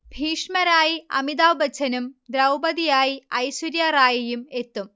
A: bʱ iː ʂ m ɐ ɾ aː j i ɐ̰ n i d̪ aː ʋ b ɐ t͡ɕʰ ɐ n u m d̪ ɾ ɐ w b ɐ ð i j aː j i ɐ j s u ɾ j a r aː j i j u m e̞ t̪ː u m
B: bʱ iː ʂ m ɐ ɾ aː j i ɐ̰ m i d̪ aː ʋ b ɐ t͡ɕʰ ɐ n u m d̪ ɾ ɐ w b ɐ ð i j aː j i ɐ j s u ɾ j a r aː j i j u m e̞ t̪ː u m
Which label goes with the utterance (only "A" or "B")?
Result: B